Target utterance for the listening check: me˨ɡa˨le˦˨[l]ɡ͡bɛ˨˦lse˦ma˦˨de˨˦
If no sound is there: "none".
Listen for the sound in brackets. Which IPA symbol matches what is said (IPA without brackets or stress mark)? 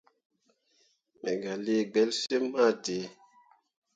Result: none